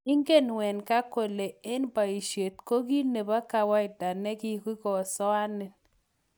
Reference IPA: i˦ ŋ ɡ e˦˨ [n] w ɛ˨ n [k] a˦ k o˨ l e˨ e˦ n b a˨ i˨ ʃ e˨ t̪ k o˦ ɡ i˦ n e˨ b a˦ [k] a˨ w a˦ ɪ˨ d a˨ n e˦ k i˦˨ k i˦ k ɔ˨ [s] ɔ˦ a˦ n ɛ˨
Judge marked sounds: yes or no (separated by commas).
yes, yes, yes, yes